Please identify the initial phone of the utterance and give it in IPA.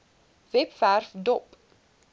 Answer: v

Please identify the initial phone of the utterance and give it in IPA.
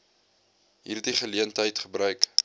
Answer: ɦ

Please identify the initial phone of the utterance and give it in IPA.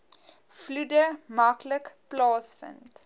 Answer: f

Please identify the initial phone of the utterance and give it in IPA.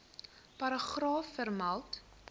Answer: p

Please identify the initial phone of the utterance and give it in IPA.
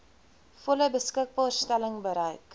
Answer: f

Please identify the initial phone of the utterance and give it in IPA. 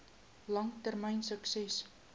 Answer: l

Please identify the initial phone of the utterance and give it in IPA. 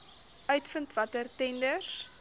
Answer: œ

